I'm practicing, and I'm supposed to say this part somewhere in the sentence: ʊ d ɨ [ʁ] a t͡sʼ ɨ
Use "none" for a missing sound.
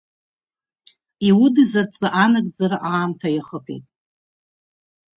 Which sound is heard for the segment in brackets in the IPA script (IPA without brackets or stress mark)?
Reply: z